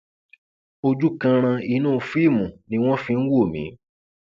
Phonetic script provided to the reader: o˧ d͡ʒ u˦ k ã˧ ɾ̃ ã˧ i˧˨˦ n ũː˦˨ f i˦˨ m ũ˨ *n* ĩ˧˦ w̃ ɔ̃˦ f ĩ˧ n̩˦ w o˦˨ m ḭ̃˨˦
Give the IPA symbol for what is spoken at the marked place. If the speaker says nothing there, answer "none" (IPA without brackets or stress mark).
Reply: n